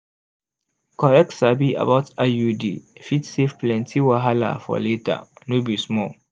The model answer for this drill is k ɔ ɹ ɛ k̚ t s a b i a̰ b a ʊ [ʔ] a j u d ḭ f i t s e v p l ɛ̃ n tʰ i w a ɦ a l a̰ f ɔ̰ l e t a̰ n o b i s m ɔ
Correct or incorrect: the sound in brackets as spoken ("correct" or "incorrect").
incorrect